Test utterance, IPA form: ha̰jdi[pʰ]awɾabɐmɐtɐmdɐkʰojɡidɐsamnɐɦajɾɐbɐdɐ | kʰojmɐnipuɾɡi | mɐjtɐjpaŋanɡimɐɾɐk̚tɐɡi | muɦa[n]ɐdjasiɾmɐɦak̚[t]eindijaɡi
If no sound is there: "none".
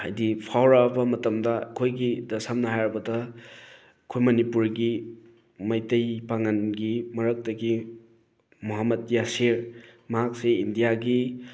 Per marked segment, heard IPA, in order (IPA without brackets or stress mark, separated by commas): pʰ, m, s